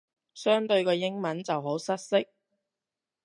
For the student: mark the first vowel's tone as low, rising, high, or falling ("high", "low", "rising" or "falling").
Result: high